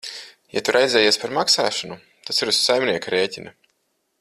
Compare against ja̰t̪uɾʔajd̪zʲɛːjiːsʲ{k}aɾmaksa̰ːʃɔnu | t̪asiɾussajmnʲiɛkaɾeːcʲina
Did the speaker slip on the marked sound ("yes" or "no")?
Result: yes